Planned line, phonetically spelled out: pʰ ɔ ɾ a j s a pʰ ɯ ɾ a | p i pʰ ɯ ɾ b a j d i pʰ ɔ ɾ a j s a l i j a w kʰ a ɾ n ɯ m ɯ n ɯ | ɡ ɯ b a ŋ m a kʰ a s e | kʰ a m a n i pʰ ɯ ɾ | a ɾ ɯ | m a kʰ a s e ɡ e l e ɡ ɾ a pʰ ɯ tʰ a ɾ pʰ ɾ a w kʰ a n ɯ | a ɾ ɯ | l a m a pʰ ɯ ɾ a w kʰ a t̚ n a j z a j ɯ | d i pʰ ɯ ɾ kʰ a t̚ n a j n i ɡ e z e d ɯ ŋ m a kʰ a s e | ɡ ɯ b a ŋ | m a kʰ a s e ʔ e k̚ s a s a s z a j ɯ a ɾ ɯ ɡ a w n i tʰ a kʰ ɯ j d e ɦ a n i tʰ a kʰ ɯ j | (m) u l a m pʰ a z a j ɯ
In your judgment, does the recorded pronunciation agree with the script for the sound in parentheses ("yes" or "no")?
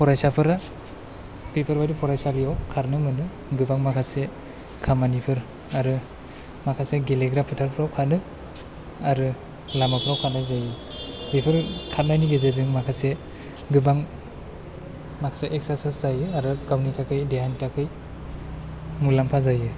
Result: yes